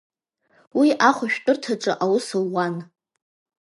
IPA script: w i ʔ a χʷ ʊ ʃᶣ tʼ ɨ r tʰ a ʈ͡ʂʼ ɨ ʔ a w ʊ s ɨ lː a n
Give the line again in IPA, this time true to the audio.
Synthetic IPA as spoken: w i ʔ a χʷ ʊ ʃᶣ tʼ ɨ r tʰ a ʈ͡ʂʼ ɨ ʔ a w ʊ s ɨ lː a n